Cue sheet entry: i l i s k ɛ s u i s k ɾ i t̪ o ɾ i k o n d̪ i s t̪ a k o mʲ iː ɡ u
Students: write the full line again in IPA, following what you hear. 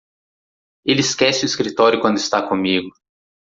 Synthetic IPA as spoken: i l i s k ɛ s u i s k ɾ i t̪ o ɾ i k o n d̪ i s t̪ a k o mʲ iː ɡ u